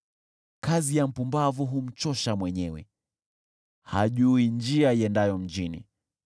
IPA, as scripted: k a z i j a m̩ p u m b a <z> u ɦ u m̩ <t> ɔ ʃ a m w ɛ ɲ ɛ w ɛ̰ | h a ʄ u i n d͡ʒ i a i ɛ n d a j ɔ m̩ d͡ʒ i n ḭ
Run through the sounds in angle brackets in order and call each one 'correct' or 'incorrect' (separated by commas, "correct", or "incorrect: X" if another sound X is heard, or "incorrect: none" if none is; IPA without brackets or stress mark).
incorrect: v, incorrect: t͡ʃ